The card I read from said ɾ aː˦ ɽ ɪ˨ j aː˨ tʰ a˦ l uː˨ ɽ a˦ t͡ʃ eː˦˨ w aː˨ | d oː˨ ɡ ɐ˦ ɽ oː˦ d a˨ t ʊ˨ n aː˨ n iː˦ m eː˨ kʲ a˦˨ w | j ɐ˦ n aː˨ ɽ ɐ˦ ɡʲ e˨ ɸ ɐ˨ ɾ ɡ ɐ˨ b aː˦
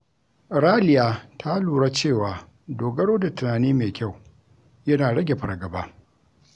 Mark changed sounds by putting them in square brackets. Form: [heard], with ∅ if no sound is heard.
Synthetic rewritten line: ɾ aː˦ [l] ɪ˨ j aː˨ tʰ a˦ l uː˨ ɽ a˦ t͡ʃ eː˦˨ w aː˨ | d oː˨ ɡ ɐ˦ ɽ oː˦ d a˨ t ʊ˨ n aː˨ n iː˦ m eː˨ kʲ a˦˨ w | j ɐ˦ n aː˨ ɽ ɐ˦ ɡʲ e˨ ɸ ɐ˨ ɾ ɡ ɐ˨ b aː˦